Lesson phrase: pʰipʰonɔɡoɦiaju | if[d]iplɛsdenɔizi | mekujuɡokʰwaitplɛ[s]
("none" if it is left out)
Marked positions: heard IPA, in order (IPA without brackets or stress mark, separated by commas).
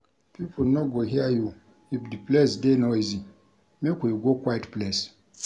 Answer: d, s